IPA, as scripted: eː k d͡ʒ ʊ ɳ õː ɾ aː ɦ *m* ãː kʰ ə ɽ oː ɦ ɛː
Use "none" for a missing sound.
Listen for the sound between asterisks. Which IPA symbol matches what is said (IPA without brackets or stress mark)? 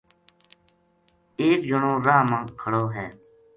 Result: m